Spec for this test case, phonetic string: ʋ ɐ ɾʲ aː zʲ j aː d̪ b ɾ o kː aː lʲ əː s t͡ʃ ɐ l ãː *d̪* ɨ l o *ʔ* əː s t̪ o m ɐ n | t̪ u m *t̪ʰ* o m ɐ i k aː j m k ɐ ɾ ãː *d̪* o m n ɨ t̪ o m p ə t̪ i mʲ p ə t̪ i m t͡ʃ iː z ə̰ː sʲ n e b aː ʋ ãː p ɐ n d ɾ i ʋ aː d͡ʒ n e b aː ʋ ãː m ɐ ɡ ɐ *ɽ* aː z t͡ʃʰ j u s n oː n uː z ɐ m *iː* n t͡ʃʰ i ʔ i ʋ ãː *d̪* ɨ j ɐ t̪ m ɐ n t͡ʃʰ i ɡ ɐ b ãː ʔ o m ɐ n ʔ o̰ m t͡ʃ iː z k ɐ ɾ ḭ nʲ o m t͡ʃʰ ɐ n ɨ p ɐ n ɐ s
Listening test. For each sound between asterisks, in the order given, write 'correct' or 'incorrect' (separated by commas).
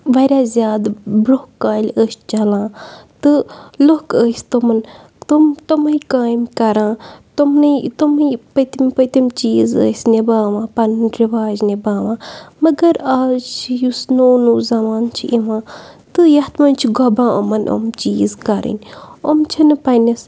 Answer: incorrect, incorrect, incorrect, incorrect, incorrect, incorrect, incorrect